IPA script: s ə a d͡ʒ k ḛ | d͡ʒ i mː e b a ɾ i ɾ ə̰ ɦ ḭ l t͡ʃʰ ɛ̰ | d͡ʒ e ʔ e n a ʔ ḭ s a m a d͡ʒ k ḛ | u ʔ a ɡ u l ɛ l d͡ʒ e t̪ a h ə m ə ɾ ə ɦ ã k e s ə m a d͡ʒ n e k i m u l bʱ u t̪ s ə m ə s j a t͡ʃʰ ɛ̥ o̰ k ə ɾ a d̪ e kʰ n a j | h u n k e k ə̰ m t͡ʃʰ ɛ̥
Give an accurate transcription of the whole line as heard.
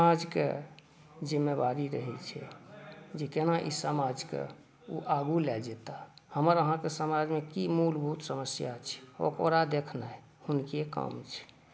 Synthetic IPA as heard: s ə a d͡ʒ k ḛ | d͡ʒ i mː e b a ɾ i ɾ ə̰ ɦ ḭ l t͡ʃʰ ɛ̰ | d͡ʒ e k e n a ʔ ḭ s ə m a d͡ʒ k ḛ | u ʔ a ɡ u l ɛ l d͡ʒ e t̪ a h ə m ə ɾ ə ɦ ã k e s ə m a d͡ʒ m e k i m u l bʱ u t̪ s ə m ə s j a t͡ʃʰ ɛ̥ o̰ k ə ɾ a d̪ e kʰ n a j | h u n k e k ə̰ m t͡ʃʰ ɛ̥

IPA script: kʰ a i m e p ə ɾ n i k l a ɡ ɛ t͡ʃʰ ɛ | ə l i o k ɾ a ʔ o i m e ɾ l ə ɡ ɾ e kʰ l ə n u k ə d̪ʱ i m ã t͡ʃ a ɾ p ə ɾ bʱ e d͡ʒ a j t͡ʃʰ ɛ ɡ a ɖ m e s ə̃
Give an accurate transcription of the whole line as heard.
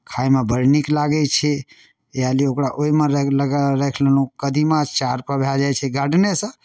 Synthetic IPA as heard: kʰ a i m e b ə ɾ n i k l a ɡ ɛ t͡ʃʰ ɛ | a l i o k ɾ a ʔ o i m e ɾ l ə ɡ ɾ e kʰ l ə n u k ə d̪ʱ i m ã t͡ʃ a ɾ p ə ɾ bʱ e d͡ʒ a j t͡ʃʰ ɛ ɡ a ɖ n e s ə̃

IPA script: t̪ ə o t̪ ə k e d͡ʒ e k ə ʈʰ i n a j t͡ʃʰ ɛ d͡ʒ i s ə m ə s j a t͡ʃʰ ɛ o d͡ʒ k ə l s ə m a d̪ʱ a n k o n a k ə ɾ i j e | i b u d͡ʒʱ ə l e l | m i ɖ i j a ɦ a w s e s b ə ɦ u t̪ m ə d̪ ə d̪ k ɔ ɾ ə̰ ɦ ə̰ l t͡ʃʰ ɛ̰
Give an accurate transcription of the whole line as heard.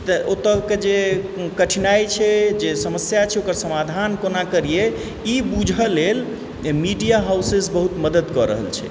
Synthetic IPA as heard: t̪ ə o t̪ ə k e d͡ʒ e k ə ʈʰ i n a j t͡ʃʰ ɛ d͡ʒ e s ə m ə s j a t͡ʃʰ ɛ o k ə ɾ s ə m a d̪ʱ a n k o n a k ə ɾ i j e | i b u d͡ʒʱ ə l e l | m i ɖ i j a ɦ a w s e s b ə ɦ u t̪ m ə d̪ ə d̪ k ɔ ɾ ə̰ ɦ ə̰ l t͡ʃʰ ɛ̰

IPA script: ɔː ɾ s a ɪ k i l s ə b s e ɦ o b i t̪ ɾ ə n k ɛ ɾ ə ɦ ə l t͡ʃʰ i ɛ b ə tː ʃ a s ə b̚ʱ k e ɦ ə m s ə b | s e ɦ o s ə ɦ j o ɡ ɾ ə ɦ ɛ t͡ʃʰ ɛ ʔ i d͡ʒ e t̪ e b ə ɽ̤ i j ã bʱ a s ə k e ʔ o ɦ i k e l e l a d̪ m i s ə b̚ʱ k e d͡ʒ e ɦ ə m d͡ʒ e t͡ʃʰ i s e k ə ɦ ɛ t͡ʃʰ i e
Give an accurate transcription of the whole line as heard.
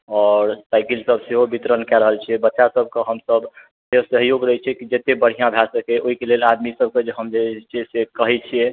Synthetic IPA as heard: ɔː ɾ s a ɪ k i l s ə b s e ɦ o b i t̪ ɾ ə n k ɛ ɾ ə ɦ ə l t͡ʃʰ i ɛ b ə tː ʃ a s ə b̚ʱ k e ɦ ə m s ə b | s e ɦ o s ə ɦ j o ɡ ɾ ə ɦ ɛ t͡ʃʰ ɛ k i d͡ʒ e t̪ e b ə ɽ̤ i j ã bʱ a s ə k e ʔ o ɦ i k e l e l a d̪ m i s ə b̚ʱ k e d͡ʒ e ɦ ə m d͡ʒ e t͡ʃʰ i s e k ə ɦ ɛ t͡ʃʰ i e

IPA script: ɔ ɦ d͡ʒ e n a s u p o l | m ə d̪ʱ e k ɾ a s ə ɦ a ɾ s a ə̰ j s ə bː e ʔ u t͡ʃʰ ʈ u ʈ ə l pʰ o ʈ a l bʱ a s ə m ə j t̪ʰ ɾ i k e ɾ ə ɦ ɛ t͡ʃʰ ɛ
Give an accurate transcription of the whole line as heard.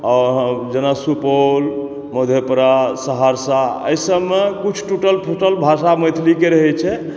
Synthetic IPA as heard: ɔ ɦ d͡ʒ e n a s u p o l | m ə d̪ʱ e p ɾ a s ə ɦ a ɾ s a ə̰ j s ə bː e k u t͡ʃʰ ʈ u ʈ ə l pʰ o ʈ ə l bʱ a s a m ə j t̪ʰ l i k e ɾ ə ɦ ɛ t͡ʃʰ ɛ

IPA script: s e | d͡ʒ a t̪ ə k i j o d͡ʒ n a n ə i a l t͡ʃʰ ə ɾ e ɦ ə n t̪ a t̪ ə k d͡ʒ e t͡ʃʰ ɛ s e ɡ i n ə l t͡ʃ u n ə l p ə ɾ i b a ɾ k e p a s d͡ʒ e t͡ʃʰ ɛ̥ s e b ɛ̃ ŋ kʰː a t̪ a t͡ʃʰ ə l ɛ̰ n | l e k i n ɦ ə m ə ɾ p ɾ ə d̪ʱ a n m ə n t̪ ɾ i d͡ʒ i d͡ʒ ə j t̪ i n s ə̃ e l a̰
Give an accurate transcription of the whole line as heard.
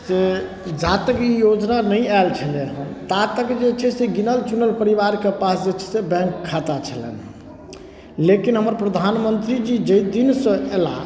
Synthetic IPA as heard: s e | d͡ʒ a t̪ ə k i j o d͡ʒ n a n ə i a l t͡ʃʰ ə l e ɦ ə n t̪ a t̪ ə k d͡ʒ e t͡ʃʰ ɛ s e ɡ i n ə l t͡ʃ u n ə l p ə ɾ i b a ɾ k e p a s d͡ʒ e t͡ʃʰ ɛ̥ s e b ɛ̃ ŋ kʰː a t̪ a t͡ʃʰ ə l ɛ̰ n | l e k i n ɦ ə m ə ɾ p ɾ ə d̪ʱ a n m ə n t̪ ɾ i d͡ʒ i d͡ʒ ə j d̪ i n s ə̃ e l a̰

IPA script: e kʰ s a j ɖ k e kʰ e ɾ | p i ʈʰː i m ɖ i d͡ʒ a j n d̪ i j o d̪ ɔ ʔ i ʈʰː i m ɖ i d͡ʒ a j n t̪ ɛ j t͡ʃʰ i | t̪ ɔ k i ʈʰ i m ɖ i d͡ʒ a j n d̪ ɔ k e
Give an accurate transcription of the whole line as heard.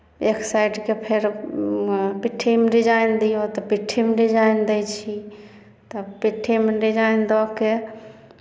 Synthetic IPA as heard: e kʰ s a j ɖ k e pʰ e ɾ | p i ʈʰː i m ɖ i d͡ʒ a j n d̪ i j o t̪ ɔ p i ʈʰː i m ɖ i d͡ʒ a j n d̪ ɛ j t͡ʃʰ i | t̪ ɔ p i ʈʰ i m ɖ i d͡ʒ a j n d̪ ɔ k e

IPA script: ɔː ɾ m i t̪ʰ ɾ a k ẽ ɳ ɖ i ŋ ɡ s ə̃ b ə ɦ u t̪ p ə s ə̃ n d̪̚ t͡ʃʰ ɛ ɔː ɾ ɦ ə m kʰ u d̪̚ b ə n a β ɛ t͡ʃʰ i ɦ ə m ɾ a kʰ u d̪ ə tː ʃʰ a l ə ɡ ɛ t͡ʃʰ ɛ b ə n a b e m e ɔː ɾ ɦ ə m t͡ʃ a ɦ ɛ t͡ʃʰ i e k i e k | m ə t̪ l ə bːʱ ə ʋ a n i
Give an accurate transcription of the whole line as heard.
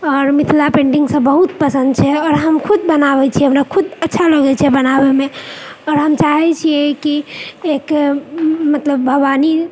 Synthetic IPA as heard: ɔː ɾ m i t̪ʰ l a p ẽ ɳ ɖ i ŋ ɡ s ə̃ b ə ɦ u t̪ p ə s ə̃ n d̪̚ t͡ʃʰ ɛ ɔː ɾ ɦ ə m kʰ u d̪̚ b ə n a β ɛ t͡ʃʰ i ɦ ə m ɾ a kʰ u d̪ ə tː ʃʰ a l ə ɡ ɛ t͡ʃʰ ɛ b ə n a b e m e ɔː ɾ ɦ ə m t͡ʃ a ɦ ɛ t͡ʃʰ i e k i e k | m ə t̪ l ə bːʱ ə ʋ a n i

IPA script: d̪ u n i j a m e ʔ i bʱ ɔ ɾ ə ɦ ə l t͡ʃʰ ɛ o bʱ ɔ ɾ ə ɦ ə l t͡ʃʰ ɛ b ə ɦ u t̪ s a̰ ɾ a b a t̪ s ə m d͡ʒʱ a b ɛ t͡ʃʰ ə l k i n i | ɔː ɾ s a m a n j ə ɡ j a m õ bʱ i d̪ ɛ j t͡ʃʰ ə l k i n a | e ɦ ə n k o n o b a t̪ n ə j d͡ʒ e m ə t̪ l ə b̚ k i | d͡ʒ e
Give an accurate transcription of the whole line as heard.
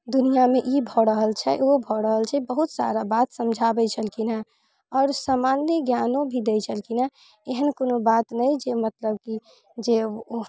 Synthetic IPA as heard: d̪ u n i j a m e ʔ i bʱ ɔ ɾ ə ɦ ə l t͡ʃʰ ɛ o bʱ ɔ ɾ ə ɦ ə l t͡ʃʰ ɛ b ə ɦ u t̪ s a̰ ɾ a b a t̪ s ə m d͡ʒʱ a b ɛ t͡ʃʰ ə l k i n a | ɔː ɾ s a m a n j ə ɡ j a n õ bʱ i d̪ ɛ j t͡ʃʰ ə l k i n a | e ɦ ə n k o n o b a t̪ n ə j d͡ʒ e m ə t̪ l ə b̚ k i | d͡ʒ e

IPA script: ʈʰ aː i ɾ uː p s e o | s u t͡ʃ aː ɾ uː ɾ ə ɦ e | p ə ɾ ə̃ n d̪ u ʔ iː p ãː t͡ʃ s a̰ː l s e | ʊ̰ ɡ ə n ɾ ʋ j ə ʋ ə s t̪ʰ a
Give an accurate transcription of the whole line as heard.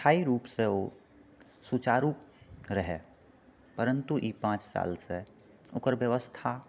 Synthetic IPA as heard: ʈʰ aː i ɾ uː p s e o | s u t͡ʃ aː ɾ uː ɾ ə ɦ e | p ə ɾ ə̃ n t̪ u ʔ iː p ãː t͡ʃ s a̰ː l s e | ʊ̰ k ə ɾ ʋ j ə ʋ ə s t̪ʰ a

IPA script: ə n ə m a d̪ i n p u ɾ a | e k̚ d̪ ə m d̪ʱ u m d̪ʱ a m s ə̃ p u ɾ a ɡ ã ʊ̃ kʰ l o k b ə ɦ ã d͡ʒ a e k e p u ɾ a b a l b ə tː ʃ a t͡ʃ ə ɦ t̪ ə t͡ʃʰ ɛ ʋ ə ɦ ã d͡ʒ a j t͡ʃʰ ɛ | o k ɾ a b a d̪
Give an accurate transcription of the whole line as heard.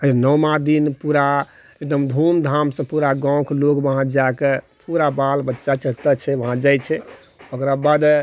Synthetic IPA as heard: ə n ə m a d̪ i n p u ɾ a | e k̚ d̪ ə m d̪ʱ u m d̪ʱ a m s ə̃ p u ɾ a ɡ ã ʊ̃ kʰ l o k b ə ɦ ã d͡ʒ a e k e p u ɾ a b a l b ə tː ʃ a t͡ʃ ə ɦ t̪ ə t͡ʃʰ ɛ ʋ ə ɦ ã d͡ʒ a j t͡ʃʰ ɛ | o k ɾ a b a d̪

